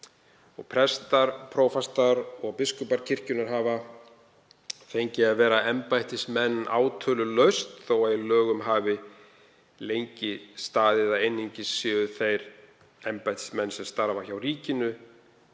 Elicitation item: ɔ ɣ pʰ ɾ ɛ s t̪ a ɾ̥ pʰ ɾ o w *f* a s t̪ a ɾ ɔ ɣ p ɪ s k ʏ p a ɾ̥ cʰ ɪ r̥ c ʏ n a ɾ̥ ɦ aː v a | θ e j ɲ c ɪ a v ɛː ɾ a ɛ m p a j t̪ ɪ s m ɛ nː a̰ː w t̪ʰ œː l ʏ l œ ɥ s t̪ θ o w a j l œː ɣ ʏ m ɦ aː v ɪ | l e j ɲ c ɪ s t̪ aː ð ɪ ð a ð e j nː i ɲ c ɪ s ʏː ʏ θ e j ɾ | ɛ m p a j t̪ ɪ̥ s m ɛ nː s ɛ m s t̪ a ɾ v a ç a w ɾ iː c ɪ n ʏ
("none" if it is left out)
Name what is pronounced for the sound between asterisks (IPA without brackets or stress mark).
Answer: f